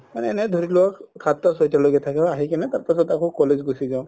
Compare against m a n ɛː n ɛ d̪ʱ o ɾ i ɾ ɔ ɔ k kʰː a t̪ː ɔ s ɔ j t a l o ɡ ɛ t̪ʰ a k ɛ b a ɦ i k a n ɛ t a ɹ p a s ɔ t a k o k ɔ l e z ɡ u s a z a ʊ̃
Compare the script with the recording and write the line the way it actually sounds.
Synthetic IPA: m a n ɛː n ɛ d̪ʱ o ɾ i l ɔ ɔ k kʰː a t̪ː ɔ s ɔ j t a l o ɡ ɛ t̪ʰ a k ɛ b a ɦ i k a n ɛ t a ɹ p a s ɔ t a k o k ɔ l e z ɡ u s i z a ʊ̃